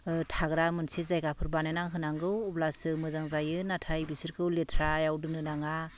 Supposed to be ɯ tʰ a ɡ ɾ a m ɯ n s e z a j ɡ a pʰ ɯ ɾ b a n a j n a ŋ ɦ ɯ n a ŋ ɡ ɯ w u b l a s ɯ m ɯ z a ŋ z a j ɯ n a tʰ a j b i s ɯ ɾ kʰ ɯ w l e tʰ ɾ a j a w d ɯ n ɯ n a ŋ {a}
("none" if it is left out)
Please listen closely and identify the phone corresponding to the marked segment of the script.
a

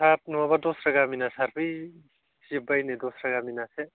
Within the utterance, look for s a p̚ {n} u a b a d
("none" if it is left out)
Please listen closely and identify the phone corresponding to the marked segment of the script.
n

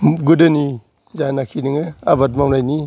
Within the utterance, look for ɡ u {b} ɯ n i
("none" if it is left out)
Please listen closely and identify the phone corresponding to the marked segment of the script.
d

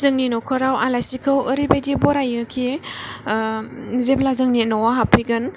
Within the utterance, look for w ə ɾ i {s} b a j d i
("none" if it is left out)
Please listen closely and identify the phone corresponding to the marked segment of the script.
none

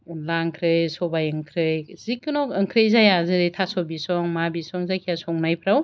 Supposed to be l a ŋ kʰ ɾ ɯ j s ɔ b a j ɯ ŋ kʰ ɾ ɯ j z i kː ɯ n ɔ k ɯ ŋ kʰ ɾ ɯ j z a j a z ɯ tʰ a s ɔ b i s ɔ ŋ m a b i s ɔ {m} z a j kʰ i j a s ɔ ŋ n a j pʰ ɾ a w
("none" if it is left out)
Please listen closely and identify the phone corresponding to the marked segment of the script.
ŋ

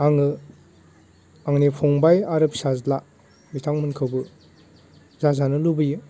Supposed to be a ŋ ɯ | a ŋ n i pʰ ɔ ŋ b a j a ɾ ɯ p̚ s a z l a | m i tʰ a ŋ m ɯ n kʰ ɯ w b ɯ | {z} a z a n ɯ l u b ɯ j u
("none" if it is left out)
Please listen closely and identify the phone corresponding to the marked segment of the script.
z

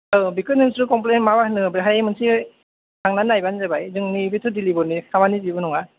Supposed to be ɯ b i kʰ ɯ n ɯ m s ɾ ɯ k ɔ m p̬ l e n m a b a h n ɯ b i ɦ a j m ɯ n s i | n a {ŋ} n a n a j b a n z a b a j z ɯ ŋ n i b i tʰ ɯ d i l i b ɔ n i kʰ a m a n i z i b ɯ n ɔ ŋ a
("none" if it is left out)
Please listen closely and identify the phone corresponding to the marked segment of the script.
ŋ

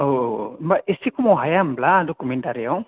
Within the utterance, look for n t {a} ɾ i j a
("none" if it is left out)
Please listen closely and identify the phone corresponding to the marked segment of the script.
a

